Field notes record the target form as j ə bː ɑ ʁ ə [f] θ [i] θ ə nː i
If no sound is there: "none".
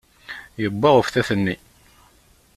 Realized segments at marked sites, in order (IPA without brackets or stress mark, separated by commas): f, æ